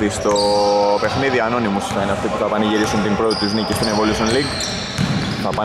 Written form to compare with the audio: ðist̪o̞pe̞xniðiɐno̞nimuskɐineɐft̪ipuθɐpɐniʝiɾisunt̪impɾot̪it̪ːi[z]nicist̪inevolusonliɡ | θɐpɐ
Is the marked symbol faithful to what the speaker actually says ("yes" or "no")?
yes